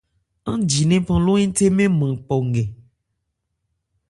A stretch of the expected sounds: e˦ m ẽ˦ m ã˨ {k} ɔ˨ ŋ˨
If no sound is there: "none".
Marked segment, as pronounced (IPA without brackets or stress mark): k͡p